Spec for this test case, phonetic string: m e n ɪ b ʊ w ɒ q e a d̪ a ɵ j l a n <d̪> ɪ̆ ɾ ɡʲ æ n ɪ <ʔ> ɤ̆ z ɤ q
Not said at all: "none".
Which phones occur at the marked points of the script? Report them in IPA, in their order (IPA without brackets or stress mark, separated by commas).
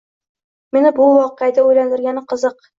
d̪, q